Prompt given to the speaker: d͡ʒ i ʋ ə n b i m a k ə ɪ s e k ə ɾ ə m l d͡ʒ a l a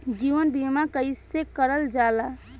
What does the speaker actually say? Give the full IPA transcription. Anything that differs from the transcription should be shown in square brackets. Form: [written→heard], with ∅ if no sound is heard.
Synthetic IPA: d͡ʒ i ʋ ə n b i m a k ə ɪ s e k ə ɾ ə [m→∅] l d͡ʒ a l a